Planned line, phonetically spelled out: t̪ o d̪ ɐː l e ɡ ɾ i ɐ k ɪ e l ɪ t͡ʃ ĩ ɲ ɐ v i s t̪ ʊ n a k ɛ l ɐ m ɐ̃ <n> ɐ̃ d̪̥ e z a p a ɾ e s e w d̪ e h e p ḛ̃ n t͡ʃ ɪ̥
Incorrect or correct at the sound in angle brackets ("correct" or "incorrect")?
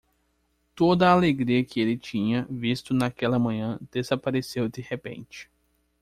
incorrect